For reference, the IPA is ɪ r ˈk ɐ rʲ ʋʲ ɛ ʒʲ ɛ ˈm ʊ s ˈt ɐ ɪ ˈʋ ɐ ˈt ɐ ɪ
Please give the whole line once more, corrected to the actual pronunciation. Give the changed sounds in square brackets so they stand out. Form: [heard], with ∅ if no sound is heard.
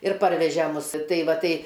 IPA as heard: ɪ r [ˈp] ɐ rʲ ʋʲ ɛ ʒʲ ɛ ˈm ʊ s ˈt ɐ ɪ ˈʋ ɐ ˈt ɐ ɪ